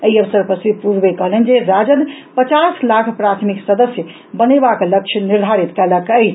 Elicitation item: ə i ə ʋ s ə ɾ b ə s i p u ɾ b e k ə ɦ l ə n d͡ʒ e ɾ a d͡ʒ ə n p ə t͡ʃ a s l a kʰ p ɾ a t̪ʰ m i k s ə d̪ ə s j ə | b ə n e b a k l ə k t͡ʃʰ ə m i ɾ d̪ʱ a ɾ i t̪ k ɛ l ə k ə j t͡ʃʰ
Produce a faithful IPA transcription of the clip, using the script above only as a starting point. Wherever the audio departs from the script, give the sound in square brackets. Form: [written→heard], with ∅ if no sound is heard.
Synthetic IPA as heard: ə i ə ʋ s ə ɾ [b→p] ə s i p u ɾ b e k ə ɦ l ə n d͡ʒ e ɾ a d͡ʒ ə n p ə t͡ʃ a s l a kʰ p ɾ a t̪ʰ m i k s ə d̪ ə s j ə | b ə n e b a k l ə k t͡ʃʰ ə [m→n] i ɾ d̪ʱ a ɾ i t̪ k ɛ l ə k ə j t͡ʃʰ

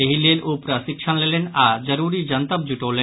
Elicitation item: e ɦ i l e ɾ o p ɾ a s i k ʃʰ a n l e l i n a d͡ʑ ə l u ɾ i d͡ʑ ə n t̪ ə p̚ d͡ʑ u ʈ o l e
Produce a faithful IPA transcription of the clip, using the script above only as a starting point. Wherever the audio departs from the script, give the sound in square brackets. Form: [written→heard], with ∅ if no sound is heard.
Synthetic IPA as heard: e ɦ i l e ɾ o p ɾ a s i k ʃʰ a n l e l [i→e] n a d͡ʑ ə [l→ɾ] u ɾ i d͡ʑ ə n t̪ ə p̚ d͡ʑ u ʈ o l e

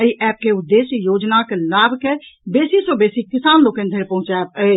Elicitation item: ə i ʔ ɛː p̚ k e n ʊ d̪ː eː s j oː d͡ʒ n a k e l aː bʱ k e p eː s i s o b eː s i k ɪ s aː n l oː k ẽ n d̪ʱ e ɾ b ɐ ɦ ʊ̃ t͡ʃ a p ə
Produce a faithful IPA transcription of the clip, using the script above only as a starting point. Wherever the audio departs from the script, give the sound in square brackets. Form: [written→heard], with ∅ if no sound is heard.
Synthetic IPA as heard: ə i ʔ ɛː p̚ k e [n→∅] ʊ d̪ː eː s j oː d͡ʒ n a k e l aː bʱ k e [p→b] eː s i s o b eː s i k ɪ s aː n l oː k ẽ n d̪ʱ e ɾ [b→p] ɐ ɦ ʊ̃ t͡ʃ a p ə

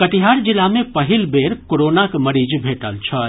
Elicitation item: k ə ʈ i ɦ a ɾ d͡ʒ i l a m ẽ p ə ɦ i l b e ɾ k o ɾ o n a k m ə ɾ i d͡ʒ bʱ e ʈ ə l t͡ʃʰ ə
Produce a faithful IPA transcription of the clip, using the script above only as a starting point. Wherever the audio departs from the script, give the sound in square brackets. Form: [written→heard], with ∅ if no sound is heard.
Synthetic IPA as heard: k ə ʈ i ɦ a ɾ d͡ʒ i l a m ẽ p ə ɦ i l b e ɾ k o ɾ o n a k m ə ɾ i d͡ʒ bʱ e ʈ ə l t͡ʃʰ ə

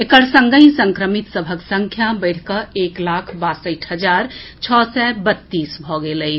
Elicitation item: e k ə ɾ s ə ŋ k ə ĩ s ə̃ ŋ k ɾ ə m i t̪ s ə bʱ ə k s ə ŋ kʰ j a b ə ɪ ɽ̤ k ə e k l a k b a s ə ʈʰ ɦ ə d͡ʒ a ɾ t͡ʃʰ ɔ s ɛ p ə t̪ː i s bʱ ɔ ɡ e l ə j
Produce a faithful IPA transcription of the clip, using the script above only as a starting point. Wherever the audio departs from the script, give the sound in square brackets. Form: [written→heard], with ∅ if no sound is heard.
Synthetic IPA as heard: e k ə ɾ s ə ŋ [k→ɡ] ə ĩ s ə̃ ŋ k ɾ ə m i t̪ s ə bʱ ə k s ə ŋ kʰ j a b ə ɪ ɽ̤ k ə e k l a [k→kʰ] b a s ə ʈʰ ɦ ə d͡ʒ a ɾ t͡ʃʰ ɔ s ɛ [p→b] ə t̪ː i s bʱ ɔ ɡ e l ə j

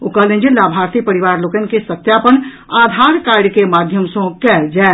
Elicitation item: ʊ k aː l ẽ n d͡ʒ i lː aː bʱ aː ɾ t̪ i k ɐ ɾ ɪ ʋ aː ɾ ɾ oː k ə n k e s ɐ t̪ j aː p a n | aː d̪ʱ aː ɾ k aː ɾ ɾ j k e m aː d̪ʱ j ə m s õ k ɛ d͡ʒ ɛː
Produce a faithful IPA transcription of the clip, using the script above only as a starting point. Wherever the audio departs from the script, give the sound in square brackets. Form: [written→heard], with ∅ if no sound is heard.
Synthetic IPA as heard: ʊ k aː l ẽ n d͡ʒ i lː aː bʱ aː ɾ t̪ i [k→p] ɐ ɾ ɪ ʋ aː ɾ [ɾ→l] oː k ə n k e s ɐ t̪ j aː p [a→ə] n | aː d̪ʱ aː ɾ k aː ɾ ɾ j k e m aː d̪ʱ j ə m s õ k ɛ d͡ʒ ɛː

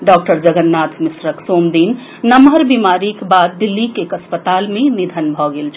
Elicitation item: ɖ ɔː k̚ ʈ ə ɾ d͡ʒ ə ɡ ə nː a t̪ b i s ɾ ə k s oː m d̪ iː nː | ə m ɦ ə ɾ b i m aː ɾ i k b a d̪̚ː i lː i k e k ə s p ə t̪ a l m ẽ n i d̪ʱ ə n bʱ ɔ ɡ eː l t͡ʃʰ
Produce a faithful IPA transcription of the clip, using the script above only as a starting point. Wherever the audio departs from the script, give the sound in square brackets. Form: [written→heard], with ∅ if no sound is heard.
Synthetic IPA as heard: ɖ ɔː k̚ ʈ ə ɾ d͡ʒ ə ɡ ə nː a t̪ [b→m] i s ɾ ə k s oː m d̪ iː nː | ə m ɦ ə ɾ b i m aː ɾ i k b a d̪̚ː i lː i k e k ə s p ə t̪ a l m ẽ n i d̪ʱ ə n bʱ ɔ ɡ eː l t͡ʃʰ

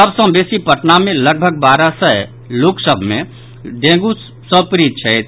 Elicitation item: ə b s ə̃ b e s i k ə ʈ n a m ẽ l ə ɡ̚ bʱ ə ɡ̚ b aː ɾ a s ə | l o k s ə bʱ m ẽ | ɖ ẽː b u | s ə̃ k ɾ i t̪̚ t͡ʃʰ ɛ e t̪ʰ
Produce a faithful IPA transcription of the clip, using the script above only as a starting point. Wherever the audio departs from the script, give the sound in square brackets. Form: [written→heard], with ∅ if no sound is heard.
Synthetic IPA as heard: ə b s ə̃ b e s i [k→p] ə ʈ n a m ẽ l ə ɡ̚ bʱ ə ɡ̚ b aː ɾ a s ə | l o k s ə bʱ m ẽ | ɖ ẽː [b→ɡ] u | s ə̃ [k→p] ɾ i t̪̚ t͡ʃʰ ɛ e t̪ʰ

